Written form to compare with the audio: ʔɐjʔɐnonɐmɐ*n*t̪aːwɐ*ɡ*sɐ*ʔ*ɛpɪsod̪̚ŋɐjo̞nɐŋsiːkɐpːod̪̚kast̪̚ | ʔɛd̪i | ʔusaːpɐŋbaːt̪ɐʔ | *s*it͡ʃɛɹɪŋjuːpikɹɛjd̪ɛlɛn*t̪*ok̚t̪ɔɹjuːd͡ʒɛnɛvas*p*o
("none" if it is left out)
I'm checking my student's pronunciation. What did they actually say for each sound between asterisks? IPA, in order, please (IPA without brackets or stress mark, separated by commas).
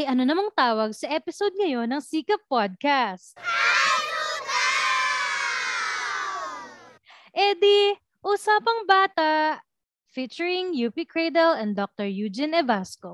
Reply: ŋ, ɡ, ʔ, f, d̪, k